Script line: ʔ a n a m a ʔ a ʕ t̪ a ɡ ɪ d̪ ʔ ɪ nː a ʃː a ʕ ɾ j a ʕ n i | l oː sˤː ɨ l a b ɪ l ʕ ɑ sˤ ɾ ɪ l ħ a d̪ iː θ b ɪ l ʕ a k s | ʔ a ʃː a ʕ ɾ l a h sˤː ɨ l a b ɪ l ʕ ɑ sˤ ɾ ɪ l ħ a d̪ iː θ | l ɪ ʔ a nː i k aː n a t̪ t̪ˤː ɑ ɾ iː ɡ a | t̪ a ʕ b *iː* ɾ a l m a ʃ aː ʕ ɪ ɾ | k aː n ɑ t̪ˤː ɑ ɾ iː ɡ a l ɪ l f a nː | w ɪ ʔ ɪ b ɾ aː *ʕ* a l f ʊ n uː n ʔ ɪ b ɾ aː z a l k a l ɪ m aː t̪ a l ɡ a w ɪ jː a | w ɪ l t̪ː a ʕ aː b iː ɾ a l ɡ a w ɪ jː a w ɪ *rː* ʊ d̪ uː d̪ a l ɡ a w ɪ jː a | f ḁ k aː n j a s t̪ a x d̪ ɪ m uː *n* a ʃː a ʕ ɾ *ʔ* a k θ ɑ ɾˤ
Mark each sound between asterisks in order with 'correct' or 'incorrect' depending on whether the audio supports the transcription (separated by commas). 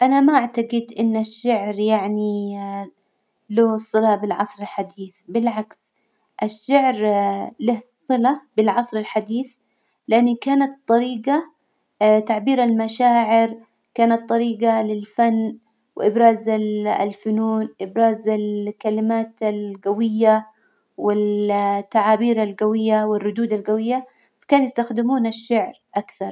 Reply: correct, incorrect, correct, correct, correct